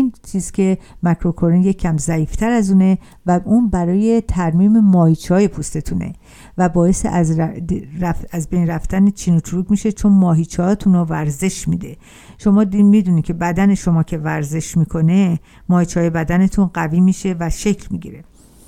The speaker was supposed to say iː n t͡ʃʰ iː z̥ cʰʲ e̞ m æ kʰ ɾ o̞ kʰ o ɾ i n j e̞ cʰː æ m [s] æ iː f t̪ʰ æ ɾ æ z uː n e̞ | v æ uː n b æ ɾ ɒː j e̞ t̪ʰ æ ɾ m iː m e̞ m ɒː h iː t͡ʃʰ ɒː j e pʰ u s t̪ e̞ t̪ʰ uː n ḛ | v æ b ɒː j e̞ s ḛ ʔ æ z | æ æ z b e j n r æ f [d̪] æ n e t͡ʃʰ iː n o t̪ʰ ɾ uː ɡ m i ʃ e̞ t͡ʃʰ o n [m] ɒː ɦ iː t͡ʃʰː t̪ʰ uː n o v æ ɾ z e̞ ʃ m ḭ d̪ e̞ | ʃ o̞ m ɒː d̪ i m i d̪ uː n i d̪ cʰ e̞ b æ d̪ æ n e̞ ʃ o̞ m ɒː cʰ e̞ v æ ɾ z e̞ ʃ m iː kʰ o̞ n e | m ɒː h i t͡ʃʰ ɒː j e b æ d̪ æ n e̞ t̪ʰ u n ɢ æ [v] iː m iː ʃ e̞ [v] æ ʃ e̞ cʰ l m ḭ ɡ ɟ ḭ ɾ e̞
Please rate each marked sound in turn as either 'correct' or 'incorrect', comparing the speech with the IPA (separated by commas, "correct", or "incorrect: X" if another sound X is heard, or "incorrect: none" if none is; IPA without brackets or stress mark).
incorrect: z, incorrect: t̪, correct, correct, correct